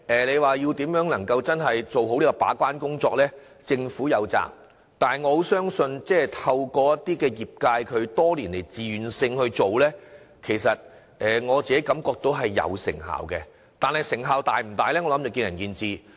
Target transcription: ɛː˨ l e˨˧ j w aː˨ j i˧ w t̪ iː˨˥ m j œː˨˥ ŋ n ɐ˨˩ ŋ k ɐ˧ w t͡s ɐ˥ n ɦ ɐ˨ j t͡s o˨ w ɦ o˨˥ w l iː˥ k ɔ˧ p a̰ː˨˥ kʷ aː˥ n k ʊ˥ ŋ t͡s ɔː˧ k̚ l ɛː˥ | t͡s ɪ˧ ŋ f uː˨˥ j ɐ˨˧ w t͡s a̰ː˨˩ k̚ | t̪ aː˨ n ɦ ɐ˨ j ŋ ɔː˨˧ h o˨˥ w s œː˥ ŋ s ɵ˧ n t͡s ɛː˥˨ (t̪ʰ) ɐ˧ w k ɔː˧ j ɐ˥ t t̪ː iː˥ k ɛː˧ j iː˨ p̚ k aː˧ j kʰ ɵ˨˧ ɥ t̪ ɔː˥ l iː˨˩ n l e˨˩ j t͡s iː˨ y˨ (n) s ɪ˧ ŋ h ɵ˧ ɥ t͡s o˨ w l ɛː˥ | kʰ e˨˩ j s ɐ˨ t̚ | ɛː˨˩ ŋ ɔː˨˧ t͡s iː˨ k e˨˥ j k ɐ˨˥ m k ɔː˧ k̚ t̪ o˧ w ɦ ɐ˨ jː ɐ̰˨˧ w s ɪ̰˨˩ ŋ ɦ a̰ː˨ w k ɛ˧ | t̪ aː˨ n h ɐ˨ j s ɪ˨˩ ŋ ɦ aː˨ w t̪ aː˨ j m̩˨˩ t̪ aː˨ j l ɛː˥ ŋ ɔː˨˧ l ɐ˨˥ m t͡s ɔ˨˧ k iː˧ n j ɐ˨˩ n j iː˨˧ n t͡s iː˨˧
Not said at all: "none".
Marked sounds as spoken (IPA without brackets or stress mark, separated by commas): t̪ʰ, n